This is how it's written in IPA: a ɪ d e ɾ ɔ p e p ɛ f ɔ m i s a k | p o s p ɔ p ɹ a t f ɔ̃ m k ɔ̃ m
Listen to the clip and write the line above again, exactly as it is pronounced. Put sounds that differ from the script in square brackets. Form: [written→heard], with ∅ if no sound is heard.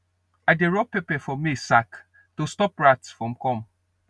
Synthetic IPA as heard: a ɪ d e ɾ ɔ p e p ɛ f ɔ m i s a k | [p→t] o s [p→t] ɔ p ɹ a t f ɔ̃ m k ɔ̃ m